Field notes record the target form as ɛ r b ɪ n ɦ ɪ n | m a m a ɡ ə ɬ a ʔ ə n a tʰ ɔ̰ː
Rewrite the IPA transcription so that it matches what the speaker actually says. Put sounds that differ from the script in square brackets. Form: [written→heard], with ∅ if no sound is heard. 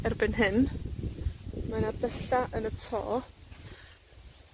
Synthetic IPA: ɛ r b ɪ n ɦ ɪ n | m a [m→n] a [ɡ→d] ə ɬ a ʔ ə n [a→ə] tʰ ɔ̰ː